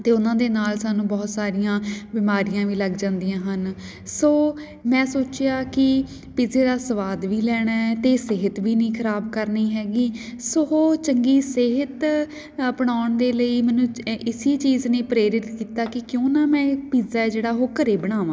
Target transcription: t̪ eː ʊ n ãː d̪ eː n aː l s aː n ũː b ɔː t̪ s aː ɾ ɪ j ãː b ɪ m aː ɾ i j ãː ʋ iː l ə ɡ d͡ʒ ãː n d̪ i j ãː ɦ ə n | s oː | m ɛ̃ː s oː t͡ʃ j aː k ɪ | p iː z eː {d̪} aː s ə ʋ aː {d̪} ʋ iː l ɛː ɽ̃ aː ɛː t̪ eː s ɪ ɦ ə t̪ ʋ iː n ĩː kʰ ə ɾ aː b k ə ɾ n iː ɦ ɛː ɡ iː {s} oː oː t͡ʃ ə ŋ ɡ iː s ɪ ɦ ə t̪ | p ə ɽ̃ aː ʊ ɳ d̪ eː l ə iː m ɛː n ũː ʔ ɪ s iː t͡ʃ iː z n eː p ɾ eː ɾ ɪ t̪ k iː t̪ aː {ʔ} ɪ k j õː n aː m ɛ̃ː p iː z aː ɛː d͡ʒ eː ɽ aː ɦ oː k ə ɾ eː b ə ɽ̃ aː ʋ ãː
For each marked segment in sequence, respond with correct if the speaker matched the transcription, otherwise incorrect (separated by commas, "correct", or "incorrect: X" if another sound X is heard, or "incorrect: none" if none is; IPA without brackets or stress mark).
correct, correct, correct, incorrect: k